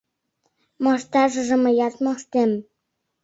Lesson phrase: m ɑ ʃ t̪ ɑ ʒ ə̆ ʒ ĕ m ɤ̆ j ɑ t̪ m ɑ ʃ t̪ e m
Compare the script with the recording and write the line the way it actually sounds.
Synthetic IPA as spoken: m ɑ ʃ t̪ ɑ ʒ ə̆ ʒ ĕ m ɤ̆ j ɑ t̪ m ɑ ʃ t̪ e m